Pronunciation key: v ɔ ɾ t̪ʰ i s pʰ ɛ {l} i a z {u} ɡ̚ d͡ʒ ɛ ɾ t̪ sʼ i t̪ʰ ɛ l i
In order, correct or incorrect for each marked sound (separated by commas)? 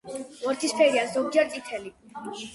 incorrect, incorrect